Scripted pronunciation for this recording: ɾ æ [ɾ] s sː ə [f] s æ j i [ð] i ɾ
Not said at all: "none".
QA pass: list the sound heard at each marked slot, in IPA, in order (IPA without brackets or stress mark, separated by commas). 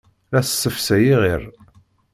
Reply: none, f, ʁ